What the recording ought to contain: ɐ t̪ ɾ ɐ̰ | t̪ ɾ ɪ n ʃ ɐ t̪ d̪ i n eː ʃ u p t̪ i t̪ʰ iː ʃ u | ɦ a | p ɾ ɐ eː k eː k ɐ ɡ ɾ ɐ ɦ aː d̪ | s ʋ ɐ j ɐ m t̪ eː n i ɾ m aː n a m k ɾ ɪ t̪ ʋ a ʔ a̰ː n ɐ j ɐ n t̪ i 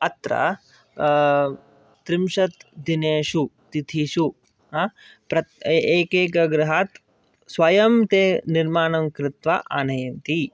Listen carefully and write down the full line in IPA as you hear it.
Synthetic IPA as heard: ɐ t̪ ɾ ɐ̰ | t̪ ɾ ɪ m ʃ ɐ t̪ d̪ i n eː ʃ u t̪ i t̪ʰ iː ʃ u | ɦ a | p ɾ ɐ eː k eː k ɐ ɡ ɾ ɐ ɦ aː t̪ | s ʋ ɐ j ɐ m t̪ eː n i ɾ m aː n ɐ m k ɾ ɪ t̪ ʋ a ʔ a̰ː n ɐ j ɐ n t̪ i

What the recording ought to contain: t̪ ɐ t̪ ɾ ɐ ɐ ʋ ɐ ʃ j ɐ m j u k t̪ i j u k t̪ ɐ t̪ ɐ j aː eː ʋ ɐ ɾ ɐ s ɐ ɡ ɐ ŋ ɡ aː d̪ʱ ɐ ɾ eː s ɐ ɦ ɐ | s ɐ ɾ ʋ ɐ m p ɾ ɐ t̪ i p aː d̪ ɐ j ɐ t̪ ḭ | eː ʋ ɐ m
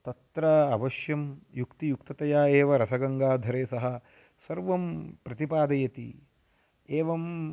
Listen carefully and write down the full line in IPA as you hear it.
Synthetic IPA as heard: t̪ ɐ t̪ ɾ ɐ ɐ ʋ ɐ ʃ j ɐ m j u k t̪ i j u k t̪ ɐ t̪ ɐ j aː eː ʋ ɐ ɾ ɐ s ɐ ɡ ɐ ŋ ɡ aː d̪ʱ ɐ ɾ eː s ɐ ɦ ɐ | s ɐ ɾ ʋ ɐ m p ɾ ɐ t̪ i p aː d̪ ɐ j ɐ t̪ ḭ | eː ʋ ɐ m

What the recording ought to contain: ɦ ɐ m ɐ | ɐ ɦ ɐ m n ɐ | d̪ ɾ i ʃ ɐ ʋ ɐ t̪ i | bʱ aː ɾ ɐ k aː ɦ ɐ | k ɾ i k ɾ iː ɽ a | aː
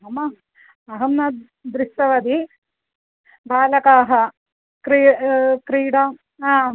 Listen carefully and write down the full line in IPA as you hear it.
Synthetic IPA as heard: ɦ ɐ m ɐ | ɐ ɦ ɐ m n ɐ | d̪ ɾ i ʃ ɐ ʋ ɐ d̪ i | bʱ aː l ɐ k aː ɦ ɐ | k ɾ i k ɾ iː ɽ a | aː

